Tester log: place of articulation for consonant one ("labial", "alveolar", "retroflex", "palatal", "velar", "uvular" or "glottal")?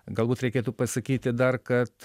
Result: velar